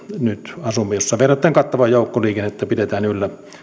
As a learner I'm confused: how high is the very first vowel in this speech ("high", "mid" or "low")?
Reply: high